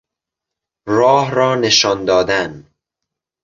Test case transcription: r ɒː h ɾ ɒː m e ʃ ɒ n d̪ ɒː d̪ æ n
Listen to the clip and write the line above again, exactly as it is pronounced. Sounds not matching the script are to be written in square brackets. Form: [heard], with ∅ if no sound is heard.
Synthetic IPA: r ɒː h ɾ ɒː [n] e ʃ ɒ n d̪ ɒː d̪ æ n